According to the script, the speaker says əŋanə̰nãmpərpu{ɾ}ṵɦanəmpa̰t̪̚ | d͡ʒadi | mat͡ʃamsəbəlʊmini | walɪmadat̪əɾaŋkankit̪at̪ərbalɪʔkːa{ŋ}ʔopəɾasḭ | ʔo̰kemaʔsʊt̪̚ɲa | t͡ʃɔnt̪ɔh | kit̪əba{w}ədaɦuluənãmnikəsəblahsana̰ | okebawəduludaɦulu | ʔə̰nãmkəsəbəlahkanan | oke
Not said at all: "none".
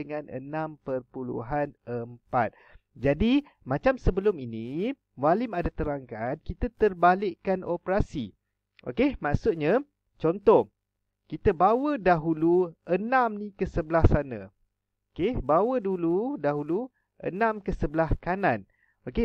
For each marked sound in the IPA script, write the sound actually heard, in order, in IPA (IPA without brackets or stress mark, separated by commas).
l, n, w